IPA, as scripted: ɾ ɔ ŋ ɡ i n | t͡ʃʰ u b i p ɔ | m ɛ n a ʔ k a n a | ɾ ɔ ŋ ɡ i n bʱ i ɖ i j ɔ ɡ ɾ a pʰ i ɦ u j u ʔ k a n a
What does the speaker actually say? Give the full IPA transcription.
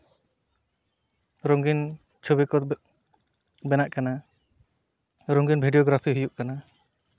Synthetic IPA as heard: ɾ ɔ ŋ ɡ i n | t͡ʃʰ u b i k ɔ | b ɛ n a ʔ k a n a | ɾ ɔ ŋ ɡ i n bʱ i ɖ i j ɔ ɡ ɾ a pʰ i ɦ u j u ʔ k a n a